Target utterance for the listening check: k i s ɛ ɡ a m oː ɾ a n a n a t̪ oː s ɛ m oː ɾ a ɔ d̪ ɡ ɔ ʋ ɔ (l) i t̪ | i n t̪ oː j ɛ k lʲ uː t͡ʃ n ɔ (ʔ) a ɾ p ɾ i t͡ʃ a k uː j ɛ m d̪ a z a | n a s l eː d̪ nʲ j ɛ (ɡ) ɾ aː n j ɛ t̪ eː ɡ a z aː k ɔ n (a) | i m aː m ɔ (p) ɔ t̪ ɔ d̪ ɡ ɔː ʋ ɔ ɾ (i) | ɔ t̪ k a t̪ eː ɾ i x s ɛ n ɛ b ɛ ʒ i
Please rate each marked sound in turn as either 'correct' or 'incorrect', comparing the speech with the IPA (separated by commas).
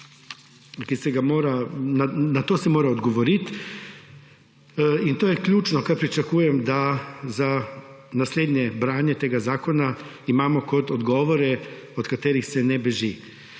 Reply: incorrect, incorrect, incorrect, correct, incorrect, incorrect